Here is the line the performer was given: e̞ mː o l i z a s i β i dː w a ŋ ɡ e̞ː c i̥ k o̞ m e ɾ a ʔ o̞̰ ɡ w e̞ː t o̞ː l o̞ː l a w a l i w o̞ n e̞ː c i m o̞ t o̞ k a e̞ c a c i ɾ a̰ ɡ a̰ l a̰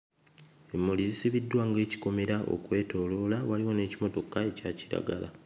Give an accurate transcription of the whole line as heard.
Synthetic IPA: e̞ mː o l i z i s i β i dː w a ŋ ɡ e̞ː c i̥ k o̞ m e ɾ a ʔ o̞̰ k w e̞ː t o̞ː l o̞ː l a w a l i w o̞ n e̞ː c i m o̞ t o̞ k a e̞ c a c i ɾ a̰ ɡ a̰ l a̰

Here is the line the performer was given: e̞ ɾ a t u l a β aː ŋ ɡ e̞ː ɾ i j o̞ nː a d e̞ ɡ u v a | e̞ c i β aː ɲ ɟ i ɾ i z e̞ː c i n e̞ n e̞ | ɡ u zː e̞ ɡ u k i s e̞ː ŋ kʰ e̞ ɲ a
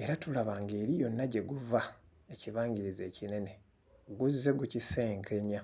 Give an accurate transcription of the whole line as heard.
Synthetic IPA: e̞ ɾ a t u l a β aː ŋ ɡ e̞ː ɾ i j o̞ nː a ɟ e̞ ɡ u v a | e̞ c i β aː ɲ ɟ i ɾ i z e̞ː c i n e̞ n e̞ | ɡ u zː e̞ ɡ u c i s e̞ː ŋ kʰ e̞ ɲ a

